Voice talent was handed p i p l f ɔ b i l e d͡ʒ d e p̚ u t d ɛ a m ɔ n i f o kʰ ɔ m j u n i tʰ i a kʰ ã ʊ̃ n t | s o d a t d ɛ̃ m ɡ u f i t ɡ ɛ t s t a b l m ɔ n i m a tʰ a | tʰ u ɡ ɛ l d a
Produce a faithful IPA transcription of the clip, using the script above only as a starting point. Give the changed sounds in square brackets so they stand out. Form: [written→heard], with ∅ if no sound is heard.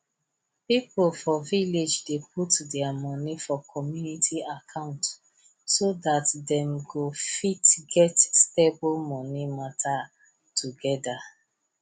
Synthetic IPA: p i p l f ɔ [b→v] i l e d͡ʒ d e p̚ u t d ɛ a m ɔ n i f [o→ɔ] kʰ ɔ m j u n i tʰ i a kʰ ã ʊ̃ n t | s o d a t d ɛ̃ m ɡ [u→o] f i t ɡ ɛ t s t [a→e] b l m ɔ n i m a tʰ a | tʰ u ɡ ɛ [l→∅] d a